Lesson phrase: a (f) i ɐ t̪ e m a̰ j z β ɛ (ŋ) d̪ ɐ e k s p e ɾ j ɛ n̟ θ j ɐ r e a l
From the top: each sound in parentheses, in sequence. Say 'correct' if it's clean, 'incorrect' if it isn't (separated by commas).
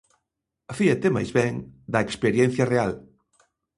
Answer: correct, correct